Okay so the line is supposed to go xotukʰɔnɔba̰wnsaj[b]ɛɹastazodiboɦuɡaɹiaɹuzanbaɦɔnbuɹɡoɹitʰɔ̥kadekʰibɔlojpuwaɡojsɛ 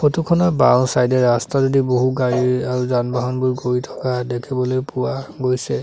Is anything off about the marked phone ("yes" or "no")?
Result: yes